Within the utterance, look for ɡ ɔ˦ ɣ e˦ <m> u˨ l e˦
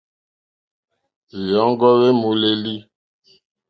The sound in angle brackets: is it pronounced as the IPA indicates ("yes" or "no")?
yes